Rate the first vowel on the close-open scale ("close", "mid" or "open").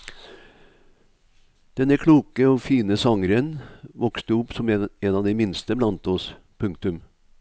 mid